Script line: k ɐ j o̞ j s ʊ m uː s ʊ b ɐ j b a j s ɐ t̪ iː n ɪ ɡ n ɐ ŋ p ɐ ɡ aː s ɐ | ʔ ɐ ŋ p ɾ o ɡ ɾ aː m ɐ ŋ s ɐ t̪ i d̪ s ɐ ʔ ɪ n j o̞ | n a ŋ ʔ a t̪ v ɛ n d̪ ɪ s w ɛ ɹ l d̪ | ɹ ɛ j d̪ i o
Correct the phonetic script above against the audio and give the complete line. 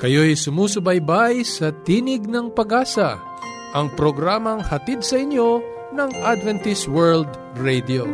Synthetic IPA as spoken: k ɐ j o̞ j s ʊ m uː s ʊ b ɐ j b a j s ɐ t̪ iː n ɪ ɡ n ɐ ŋ p ɐ ɡ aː s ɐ | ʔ ɐ ŋ p ɾ o ɡ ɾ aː m ɐ ŋ h ɐ t̪ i d̪ s ɐ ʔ ɪ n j o̞ | n ɐ ŋ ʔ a d̪ v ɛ n t̪ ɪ s w ɛ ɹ l d̪ | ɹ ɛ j d̪ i o